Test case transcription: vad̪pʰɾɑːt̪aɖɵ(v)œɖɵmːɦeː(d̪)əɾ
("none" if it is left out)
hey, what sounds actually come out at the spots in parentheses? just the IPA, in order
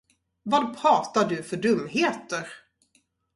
f, t̪

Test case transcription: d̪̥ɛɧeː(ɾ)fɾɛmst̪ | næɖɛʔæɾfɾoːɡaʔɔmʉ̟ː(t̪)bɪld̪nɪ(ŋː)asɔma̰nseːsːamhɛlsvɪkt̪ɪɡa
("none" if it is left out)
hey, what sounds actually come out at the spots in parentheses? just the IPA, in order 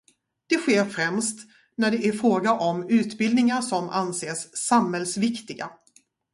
ɾ, t̪, ŋ

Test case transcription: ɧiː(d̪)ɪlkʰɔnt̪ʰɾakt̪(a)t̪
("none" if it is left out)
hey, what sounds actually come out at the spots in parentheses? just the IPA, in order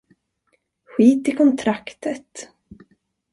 t̪, ə

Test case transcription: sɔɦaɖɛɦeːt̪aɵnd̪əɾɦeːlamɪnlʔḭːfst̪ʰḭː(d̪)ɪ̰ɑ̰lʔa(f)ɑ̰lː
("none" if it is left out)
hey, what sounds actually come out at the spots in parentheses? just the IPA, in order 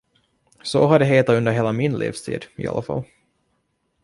d̪, f

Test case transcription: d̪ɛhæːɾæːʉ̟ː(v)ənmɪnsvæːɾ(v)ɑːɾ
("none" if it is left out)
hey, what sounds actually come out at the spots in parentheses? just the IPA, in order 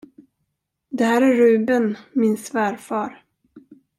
b, f

